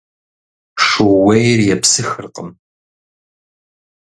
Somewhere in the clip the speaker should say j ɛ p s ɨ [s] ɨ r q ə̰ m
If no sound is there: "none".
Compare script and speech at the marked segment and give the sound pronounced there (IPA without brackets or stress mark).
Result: x